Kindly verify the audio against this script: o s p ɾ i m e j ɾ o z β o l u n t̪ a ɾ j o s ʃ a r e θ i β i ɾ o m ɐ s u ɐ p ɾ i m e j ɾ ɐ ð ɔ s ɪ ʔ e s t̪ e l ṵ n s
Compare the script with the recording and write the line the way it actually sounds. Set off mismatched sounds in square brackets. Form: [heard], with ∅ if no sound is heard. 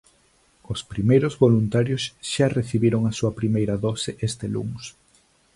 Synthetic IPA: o s p ɾ i m e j ɾ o z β o l u n t̪ a ɾ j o s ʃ a r e θ i β i ɾ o [ŋ] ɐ s u ɐ p ɾ i m e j ɾ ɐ ð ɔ s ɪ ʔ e s t̪ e l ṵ [ŋ] s